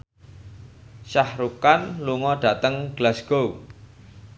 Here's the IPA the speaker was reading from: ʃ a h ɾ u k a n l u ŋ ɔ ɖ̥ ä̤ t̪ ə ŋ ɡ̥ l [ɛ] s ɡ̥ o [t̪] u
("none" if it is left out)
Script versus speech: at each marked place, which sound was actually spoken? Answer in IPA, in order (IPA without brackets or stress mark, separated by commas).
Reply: a, none